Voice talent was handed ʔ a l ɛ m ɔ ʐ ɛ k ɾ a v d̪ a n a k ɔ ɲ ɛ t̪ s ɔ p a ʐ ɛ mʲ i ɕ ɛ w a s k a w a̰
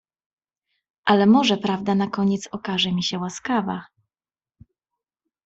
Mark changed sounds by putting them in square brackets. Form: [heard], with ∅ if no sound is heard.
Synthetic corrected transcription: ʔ a l ɛ m ɔ ʐ ɛ [p] ɾ a v d̪ a n a k ɔ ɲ ɛ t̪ s ɔ [k] a ʐ ɛ mʲ i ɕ ɛ w a s k a [v] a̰